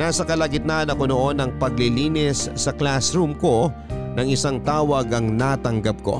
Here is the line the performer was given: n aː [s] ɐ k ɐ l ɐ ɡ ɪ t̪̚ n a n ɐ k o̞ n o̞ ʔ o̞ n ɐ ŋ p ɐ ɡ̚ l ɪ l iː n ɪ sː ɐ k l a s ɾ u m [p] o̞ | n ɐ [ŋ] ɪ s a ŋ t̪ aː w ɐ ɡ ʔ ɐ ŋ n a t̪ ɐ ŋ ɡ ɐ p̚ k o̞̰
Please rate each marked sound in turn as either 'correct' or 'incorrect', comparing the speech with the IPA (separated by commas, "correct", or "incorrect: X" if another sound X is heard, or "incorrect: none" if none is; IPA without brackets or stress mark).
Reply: correct, incorrect: k, correct